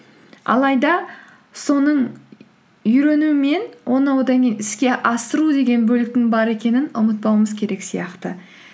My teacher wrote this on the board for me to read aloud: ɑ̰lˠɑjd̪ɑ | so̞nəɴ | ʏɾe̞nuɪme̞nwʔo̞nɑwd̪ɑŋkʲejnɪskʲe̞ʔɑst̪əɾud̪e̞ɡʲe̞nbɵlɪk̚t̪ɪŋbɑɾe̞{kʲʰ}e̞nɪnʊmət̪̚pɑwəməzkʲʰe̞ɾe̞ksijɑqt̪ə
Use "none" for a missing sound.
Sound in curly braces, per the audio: kʲ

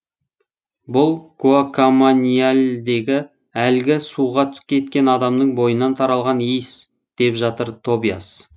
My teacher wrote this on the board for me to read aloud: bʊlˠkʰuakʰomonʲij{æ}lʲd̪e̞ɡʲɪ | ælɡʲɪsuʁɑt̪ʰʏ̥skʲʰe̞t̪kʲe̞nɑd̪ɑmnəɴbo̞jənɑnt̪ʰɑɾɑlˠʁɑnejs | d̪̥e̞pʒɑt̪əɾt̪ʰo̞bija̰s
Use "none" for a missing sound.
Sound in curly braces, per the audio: a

